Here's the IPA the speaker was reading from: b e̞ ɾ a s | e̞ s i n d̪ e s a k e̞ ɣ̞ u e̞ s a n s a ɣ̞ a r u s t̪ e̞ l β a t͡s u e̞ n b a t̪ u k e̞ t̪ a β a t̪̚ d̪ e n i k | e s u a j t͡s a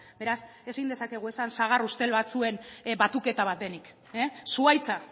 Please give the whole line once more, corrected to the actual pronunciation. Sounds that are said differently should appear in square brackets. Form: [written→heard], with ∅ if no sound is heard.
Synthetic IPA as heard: b e̞ ɾ a s | e̞ s i n d̪ e s a k e̞ ɣ̞ u e̞ s a n s a ɣ̞ a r u s t̪ e̞ l β a t͡s u e̞ n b a t̪ u k e̞ t̪ a β a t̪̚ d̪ e n i k | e s u a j t͡s a